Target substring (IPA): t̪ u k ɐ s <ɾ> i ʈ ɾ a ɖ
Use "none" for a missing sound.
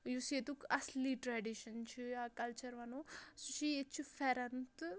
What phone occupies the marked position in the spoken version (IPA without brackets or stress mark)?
l